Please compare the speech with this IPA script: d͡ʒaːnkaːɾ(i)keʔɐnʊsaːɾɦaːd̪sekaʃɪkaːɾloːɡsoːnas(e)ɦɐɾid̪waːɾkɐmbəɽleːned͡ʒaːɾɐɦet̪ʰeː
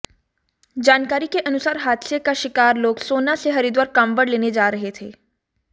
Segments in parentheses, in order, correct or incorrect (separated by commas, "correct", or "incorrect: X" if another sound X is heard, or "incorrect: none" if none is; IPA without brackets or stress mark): correct, correct